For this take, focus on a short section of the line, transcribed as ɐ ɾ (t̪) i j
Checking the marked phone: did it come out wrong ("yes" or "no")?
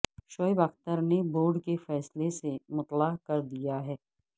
yes